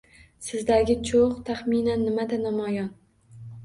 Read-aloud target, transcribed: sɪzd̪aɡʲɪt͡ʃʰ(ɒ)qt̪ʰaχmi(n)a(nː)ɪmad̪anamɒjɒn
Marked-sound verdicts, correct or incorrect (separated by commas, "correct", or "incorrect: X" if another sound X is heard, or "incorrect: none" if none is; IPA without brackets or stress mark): incorrect: o, correct, correct